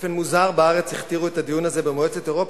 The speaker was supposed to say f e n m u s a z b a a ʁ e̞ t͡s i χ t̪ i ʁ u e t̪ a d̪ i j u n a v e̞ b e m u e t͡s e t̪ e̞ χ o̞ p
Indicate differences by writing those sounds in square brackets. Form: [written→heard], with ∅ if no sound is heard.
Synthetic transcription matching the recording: f e n m u [s→z] a [z→ʁ] b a a ʁ e̞ t͡s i χ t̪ i ʁ u e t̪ a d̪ i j u n a [v→z] e̞ b e m [u→o] e t͡s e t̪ e̞ [χ→ʁ] o̞ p